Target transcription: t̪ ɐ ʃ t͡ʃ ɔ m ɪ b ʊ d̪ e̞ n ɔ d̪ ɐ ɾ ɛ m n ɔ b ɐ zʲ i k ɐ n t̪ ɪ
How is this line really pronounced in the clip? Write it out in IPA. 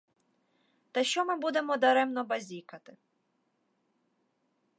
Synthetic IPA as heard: t̪ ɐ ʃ t͡ʃ ɔ m ɪ b u d̪ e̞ m ɔ d̪ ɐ ɾ ɛ m n ɔ b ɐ zʲ i k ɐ t̪ ɪ